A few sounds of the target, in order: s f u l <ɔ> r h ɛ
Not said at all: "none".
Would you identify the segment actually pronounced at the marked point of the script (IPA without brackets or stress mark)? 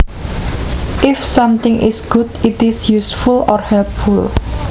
ɔ